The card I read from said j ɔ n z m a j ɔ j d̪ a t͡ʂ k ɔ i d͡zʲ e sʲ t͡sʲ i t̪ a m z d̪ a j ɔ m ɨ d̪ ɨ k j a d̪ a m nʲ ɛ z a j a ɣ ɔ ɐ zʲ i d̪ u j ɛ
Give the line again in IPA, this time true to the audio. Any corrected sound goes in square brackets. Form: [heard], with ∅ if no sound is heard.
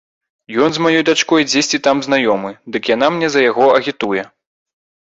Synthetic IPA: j ɔ n z m a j ɔ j d̪ a t͡ʂ k ɔ [j] d͡zʲ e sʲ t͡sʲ i t̪ a m z [n̪] a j ɔ m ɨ d̪ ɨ k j a [n̪] a m nʲ ɛ z [ɐ] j a ɣ ɔ ɐ [ɣʲ] i [t̪] u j ɛ